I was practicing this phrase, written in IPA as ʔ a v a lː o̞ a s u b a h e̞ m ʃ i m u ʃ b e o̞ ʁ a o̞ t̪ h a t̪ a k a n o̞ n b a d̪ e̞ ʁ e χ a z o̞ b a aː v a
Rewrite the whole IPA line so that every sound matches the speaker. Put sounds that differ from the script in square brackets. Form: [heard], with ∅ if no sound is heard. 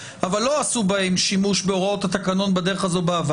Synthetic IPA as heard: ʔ a v a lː o̞ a s u b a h e̞ m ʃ i m u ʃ b e o̞ ʁ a o̞ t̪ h a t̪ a k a n o̞ n b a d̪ e̞ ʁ e χ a z o̞ b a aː v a